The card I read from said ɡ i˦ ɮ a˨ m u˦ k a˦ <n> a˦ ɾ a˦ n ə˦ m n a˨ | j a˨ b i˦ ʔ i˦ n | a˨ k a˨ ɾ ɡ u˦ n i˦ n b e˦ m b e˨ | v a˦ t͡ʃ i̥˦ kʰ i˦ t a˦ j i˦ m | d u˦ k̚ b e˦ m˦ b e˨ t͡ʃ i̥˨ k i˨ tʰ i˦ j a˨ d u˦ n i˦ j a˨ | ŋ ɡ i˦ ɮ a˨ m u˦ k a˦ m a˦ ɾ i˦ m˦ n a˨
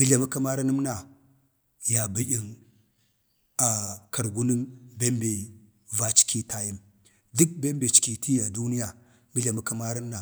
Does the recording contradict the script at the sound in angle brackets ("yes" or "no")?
yes